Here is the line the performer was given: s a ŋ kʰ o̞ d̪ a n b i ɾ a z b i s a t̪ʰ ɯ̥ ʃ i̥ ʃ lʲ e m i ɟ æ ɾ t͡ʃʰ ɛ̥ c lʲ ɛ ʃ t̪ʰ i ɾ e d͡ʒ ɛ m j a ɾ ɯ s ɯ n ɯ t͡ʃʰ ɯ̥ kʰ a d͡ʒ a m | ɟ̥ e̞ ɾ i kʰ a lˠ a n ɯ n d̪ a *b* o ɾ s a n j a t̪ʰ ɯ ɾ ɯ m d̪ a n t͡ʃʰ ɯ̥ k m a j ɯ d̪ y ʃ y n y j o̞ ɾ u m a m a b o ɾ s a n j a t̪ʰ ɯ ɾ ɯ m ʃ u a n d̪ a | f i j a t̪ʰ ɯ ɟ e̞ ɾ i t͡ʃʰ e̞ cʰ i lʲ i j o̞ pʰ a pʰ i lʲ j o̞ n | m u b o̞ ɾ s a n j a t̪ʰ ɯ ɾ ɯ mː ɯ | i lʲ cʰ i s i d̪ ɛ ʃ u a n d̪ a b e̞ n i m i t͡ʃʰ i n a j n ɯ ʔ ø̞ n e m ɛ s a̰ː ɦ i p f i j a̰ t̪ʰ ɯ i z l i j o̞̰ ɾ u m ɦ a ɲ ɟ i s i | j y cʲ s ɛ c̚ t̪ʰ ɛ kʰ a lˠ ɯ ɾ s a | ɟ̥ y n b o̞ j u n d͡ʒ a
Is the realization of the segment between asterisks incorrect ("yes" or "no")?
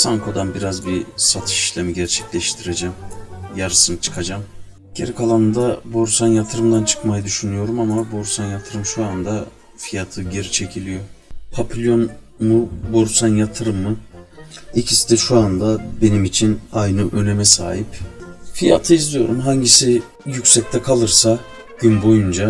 no